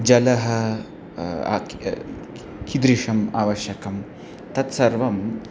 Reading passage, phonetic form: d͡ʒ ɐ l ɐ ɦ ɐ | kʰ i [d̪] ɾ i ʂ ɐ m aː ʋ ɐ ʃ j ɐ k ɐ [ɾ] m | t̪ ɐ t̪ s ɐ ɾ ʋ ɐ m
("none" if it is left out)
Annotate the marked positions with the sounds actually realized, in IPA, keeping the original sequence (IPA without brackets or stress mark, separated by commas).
d̪, none